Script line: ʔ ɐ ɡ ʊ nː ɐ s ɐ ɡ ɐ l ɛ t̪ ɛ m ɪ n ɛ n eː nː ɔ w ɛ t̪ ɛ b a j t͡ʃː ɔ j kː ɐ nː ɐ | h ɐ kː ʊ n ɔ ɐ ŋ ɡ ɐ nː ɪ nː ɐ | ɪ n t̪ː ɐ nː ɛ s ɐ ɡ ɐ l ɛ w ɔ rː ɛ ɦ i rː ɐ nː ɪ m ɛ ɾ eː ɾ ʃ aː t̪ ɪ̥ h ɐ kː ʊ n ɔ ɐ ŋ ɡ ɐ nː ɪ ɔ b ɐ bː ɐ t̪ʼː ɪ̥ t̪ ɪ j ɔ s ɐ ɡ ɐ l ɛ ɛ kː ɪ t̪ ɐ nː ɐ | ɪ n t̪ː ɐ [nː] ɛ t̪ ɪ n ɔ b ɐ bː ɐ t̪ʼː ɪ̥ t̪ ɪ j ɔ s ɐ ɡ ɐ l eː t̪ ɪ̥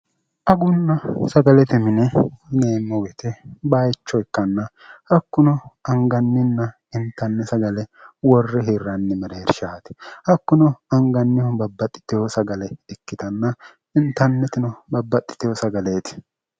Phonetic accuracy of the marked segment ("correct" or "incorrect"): correct